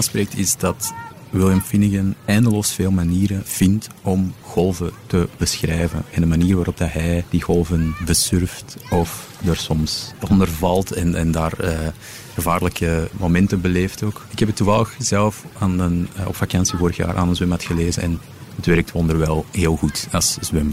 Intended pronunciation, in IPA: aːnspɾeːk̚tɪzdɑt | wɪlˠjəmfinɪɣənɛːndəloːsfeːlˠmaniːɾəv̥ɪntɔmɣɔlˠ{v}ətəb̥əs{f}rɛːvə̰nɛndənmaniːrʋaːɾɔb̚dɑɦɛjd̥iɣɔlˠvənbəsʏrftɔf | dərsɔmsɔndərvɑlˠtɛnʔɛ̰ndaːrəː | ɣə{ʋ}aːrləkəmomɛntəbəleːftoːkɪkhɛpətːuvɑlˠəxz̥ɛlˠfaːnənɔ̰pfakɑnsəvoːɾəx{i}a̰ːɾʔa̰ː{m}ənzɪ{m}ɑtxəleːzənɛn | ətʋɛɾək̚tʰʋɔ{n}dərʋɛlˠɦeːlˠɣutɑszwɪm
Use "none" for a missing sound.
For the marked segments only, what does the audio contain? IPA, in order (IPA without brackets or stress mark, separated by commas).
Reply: v, x, v, j, n, m, n